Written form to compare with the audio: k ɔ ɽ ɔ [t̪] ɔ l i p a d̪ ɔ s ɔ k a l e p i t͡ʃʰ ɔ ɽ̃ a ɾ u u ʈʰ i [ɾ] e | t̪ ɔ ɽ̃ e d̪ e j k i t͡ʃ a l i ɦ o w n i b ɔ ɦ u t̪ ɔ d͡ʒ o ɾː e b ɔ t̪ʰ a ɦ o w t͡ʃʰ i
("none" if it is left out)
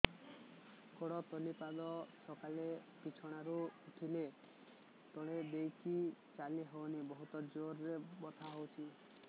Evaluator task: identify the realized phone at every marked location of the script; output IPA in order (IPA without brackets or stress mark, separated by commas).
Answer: t̪, l